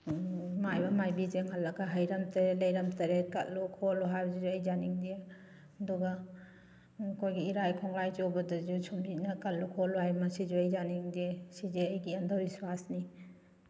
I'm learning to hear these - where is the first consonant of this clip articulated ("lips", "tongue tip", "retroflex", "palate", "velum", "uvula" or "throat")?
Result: lips